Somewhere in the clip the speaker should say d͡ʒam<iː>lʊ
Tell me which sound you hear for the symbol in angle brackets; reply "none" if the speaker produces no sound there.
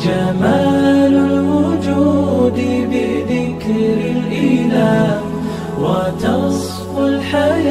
aː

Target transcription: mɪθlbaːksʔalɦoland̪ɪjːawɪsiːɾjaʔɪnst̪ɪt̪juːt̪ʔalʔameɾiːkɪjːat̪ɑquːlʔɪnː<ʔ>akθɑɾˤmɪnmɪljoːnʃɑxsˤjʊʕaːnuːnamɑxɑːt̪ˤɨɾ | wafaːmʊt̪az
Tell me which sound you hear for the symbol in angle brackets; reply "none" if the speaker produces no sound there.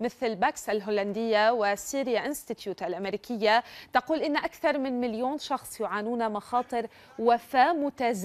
ʔ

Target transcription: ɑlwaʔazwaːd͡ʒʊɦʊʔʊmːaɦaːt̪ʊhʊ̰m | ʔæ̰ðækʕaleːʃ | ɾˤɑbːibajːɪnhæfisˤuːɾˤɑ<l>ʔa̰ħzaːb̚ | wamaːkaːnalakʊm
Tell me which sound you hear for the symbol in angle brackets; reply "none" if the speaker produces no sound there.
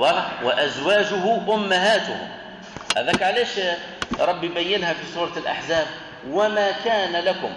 l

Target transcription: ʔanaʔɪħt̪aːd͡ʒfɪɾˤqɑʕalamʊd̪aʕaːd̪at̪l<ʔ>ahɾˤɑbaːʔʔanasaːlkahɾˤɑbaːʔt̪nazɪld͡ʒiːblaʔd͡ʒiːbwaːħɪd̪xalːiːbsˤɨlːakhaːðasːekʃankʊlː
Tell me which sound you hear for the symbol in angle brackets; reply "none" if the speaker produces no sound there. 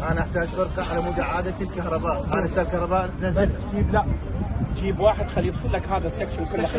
k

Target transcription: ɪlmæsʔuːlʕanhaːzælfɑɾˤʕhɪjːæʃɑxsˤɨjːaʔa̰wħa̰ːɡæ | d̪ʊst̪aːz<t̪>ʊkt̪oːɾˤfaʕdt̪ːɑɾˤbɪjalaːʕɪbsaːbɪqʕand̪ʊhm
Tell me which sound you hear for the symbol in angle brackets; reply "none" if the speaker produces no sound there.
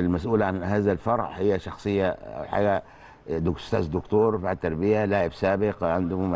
d̪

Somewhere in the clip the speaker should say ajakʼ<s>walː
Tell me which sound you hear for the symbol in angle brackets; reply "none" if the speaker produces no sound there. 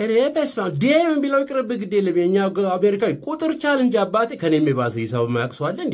s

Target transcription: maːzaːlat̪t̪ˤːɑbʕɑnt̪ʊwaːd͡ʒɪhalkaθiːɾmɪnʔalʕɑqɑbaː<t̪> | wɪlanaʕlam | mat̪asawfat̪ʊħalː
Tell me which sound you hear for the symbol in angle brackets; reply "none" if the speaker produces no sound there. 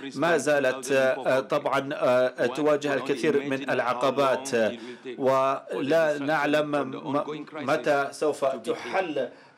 t̪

